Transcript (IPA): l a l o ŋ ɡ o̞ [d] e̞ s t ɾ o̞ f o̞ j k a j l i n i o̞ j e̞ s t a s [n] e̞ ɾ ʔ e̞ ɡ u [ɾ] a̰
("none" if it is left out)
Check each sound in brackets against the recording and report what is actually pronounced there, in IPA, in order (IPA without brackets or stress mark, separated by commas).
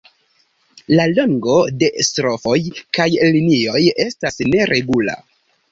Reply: d, n, l